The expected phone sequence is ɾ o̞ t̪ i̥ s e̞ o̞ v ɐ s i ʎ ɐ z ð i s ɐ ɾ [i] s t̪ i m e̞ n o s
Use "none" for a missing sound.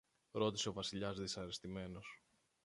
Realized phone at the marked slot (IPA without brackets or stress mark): e